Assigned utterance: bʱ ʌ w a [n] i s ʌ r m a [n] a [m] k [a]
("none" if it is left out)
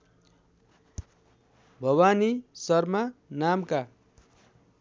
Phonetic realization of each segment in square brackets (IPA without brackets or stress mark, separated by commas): n, n, m, a